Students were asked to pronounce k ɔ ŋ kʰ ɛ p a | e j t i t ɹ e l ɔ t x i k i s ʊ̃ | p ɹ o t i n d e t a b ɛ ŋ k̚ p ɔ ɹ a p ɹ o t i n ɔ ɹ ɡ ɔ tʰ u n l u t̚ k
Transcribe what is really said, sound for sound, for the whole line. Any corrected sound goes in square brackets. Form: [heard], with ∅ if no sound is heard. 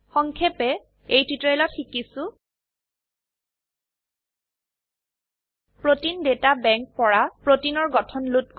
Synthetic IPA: [x] ɔ ŋ kʰ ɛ p [ɛ] | e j t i t ɹ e l ɔ t x i k i s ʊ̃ | p ɹ o t i n d e t a b ɛ ŋ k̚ p ɔ ɹ a p ɹ o t i n ɔ ɹ ɡ ɔ tʰ [ɔ] n l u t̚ k